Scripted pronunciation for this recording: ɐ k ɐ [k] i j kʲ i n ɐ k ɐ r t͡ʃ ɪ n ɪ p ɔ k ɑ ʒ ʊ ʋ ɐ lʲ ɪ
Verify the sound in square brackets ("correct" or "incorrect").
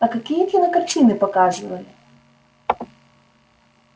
correct